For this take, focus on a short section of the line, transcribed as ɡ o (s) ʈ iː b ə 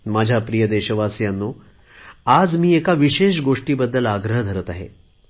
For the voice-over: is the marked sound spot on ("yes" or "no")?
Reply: no